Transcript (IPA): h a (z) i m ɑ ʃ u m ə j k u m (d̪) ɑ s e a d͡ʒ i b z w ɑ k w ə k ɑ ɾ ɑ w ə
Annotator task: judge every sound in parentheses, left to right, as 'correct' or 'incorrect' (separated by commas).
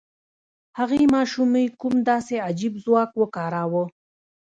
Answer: incorrect, correct